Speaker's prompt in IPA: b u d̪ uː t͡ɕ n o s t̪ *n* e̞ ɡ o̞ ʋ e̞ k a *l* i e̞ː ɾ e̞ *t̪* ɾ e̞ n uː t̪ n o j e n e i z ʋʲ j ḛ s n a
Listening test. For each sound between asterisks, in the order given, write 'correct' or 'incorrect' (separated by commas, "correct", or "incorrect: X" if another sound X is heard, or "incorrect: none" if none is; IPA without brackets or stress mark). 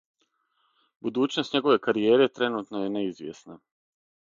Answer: incorrect: ɲ, incorrect: ɾ, correct